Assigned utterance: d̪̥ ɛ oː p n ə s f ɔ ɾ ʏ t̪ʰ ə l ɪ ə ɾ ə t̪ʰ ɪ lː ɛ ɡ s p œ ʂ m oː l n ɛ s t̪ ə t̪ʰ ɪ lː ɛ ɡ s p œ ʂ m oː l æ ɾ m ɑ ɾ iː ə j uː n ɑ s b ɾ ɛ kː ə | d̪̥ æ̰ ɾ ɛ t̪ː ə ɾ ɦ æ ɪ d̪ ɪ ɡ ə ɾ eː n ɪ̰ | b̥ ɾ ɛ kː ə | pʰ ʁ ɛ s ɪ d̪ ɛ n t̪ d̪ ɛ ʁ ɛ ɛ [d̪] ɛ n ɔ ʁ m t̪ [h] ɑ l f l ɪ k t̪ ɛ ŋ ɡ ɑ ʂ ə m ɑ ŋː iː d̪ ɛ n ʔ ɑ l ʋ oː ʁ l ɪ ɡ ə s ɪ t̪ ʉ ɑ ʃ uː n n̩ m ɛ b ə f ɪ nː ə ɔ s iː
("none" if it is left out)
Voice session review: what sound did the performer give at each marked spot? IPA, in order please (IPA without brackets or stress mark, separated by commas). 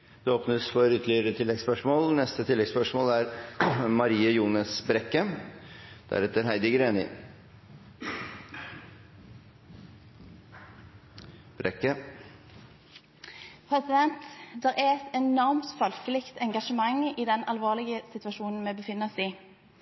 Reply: t̪, f